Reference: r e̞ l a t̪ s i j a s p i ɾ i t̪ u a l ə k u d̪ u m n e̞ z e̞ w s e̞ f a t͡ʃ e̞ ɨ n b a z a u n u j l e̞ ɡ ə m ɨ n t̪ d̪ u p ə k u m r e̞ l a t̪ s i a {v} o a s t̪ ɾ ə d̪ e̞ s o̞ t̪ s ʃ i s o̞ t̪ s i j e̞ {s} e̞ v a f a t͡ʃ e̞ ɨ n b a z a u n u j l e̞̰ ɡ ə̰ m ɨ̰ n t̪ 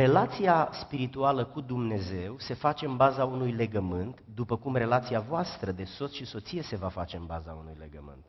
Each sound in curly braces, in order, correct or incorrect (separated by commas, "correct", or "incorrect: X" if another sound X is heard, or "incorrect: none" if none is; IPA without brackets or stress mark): correct, correct